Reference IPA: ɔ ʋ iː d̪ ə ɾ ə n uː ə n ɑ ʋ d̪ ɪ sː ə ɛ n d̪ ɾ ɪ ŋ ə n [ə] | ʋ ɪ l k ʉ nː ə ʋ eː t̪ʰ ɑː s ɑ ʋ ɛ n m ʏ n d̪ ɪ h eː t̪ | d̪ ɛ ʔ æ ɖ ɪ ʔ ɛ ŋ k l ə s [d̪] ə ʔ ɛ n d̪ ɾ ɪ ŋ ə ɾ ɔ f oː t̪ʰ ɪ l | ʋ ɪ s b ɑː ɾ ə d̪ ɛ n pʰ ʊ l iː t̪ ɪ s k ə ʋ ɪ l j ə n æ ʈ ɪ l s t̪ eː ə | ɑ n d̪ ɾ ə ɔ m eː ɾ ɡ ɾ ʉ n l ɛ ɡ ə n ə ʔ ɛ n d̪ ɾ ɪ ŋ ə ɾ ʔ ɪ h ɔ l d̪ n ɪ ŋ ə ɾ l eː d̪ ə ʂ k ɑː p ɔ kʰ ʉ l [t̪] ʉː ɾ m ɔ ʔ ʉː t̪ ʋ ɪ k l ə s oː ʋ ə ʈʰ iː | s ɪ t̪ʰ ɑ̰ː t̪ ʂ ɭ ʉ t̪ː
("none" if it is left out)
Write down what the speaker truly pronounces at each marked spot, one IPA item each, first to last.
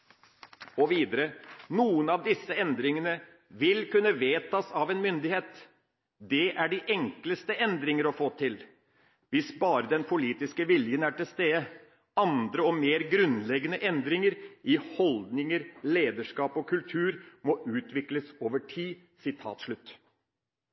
ə, t̪, t̪ʰ

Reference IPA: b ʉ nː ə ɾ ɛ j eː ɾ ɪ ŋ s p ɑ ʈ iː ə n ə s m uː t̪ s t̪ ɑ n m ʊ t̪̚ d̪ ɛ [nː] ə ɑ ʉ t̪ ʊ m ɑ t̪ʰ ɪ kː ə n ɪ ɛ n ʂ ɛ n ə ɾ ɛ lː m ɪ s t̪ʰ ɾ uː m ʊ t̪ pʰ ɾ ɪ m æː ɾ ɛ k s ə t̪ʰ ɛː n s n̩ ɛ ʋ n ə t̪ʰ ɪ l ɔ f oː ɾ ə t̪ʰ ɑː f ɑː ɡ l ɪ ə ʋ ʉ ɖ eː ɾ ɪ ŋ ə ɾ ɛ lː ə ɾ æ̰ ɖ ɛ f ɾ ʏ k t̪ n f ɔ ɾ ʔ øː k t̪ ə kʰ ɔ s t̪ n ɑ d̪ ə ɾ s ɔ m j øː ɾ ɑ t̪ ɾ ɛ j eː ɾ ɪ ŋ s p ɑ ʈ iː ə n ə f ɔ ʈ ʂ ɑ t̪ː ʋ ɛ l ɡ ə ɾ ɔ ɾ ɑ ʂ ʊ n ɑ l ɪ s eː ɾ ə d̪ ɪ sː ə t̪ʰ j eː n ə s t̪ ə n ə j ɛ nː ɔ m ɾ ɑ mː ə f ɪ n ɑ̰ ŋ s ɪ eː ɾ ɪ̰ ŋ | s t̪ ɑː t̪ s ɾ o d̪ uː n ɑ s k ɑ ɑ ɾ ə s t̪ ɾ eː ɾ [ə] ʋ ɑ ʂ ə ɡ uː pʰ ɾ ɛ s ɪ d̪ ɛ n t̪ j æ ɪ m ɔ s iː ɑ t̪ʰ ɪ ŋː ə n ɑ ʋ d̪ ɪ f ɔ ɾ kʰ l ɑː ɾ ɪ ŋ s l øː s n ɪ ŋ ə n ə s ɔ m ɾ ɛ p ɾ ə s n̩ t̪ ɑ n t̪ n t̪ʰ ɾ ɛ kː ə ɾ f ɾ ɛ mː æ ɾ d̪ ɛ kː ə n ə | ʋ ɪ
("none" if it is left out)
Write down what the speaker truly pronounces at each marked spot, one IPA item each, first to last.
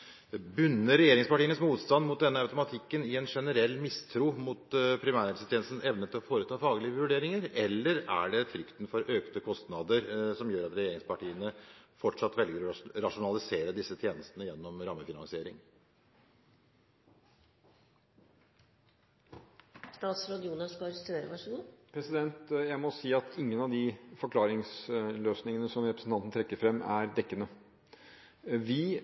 nː, ə

